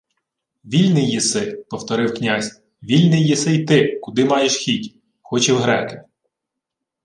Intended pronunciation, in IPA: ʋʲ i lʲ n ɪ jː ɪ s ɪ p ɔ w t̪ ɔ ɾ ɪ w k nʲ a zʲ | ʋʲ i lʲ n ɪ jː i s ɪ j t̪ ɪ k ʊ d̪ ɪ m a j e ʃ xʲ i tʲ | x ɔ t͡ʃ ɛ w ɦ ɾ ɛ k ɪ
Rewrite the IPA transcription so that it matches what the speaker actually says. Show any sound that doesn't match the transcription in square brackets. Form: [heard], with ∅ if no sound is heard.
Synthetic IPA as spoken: ʋʲ i lʲ n ɪ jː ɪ s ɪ p ɔ w t̪ ɔ ɾ ɪ w k nʲ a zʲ | ʋʲ i lʲ n ɪ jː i s ɪ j t̪ ɪ k ʊ d̪ ɪ m [ɑ] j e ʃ xʲ i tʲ | x ɔ t͡ʃ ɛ w ɦ ɾ ɛ k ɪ